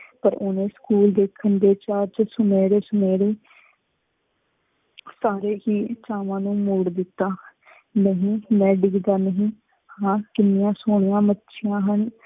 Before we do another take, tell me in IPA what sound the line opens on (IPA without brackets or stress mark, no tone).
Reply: p